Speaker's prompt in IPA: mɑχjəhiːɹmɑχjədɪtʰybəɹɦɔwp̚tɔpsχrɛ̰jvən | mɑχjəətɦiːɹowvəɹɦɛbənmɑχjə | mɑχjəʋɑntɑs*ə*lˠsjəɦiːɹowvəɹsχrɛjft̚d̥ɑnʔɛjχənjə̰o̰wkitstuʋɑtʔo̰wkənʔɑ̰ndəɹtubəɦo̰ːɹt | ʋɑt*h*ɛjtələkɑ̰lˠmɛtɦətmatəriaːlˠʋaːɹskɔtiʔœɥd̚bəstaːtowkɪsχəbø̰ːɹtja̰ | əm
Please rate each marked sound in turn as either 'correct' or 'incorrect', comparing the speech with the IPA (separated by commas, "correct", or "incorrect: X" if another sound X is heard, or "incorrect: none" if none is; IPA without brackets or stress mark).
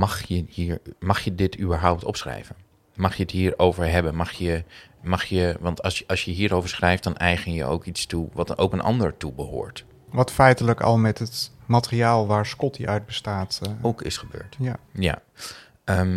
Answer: incorrect: ɑ, incorrect: f